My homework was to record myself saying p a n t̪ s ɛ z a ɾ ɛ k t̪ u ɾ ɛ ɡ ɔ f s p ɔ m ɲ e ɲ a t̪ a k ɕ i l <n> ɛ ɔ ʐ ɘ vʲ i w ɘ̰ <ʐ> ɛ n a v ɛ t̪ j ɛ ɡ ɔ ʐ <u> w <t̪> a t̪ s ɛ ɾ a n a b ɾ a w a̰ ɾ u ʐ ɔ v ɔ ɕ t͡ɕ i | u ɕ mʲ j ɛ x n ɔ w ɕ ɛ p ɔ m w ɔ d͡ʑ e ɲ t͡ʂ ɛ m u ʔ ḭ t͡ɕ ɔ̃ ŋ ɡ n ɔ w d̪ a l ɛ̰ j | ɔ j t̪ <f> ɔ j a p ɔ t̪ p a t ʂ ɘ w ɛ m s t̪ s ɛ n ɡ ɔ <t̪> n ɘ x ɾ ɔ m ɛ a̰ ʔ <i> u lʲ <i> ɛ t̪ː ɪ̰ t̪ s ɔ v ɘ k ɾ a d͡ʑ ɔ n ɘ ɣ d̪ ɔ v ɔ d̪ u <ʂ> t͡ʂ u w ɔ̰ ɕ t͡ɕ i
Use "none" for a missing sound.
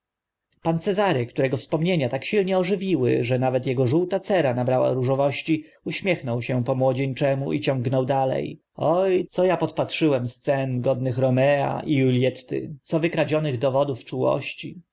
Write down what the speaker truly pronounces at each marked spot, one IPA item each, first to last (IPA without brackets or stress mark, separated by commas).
ɲ, ʐ, u, t̪, s, d̪, i, j, f